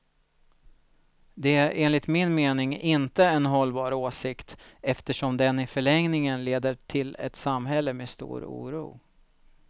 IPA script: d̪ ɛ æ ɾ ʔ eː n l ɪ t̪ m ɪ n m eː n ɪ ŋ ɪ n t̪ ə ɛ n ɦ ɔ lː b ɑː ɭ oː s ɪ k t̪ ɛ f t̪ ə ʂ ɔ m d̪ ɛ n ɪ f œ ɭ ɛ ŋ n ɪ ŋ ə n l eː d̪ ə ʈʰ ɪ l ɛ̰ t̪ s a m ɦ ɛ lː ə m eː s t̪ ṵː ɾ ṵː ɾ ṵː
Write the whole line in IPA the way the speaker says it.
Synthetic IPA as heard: d̪ ɛ æ ɾ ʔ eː n l ɪ t̪ m ɪ n m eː n ɪ ŋ ɪ n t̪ ə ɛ n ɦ ɔ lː b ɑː ɾ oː s ɪ k t̪ ɛ f t̪ ə ʂ ɔ m d̪ ɛ n ɪ f œ ɭ ɛ ŋ n ɪ ŋ ə n l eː d̪ ə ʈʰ ɪ l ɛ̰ t̪ s a m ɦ ɛ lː ə m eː s t̪ ṵː ɾ ṵː ɾ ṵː